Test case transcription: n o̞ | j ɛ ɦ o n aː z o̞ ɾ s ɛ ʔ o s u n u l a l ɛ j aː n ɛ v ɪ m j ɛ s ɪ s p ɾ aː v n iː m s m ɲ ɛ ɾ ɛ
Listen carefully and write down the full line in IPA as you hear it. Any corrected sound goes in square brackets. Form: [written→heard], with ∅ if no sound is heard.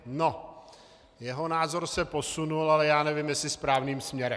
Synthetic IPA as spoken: n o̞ | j ɛ ɦ o n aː z o̞ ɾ s ɛ [ʔ→p] o s u n u l a l ɛ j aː n ɛ v ɪ m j ɛ s ɪ s p ɾ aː v n iː m s m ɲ ɛ ɾ ɛ